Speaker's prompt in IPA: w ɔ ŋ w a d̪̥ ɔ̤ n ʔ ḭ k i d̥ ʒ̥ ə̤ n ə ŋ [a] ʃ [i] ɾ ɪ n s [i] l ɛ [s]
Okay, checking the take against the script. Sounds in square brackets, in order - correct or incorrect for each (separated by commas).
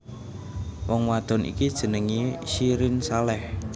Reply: incorrect, correct, incorrect, incorrect